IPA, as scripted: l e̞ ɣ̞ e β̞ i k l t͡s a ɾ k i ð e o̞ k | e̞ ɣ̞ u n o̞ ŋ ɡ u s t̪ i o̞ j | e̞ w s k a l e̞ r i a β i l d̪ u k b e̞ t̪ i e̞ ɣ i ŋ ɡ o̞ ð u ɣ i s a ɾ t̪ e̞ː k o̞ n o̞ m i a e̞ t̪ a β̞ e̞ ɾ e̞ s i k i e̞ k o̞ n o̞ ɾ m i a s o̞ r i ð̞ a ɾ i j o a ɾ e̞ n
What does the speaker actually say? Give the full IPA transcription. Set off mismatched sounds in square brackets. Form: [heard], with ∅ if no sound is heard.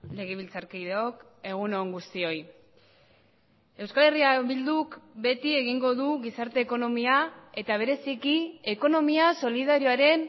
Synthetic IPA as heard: l e̞ ɣ̞ e β̞ i [∅] l t͡s a ɾ k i ð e o̞ k | e̞ ɣ̞ u n o̞ ŋ ɡ u s t̪ i o̞ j | e̞ w s k a l e̞ r i a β i l d̪ u k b e̞ t̪ i e̞ ɣ i ŋ ɡ o̞ ð u ɣ i s a ɾ t̪ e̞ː k o̞ n o̞ m i a e̞ t̪ a β̞ e̞ ɾ e̞ s i k i e̞ k o̞ n o̞ [∅] m i a s o̞ [l] i ð̞ a ɾ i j o a ɾ e̞ n